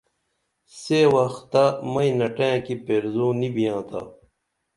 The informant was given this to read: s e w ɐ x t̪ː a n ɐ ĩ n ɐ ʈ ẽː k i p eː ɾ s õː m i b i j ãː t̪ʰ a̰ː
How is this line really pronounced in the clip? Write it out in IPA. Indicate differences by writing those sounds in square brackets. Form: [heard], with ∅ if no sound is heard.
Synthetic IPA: s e w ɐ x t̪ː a [m] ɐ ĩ n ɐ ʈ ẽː k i p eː ɾ [z] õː [n] i b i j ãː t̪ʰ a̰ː